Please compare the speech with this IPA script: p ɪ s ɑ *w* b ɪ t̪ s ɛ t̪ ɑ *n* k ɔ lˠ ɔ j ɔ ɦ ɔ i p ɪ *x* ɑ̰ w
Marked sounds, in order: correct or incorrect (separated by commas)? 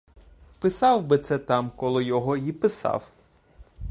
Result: correct, incorrect, incorrect